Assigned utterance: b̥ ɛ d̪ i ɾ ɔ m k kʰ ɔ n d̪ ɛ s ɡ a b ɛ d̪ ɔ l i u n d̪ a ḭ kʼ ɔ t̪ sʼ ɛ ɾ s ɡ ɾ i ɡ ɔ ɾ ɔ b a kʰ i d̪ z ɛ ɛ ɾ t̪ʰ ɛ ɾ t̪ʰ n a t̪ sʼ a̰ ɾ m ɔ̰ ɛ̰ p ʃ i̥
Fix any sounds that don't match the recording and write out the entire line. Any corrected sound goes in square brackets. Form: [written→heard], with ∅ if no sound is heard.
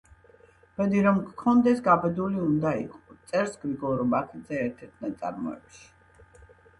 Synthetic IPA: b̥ ɛ d̪ i ɾ ɔ m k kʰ ɔ n d̪ ɛ s ɡ a b ɛ d̪ [ɔ→u] l i u n d̪ a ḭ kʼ ɔ t̪ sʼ ɛ ɾ s ɡ ɾ i ɡ ɔ ɾ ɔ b a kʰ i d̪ z ɛ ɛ ɾ t̪ʰ ɛ ɾ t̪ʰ n a t̪ sʼ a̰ ɾ m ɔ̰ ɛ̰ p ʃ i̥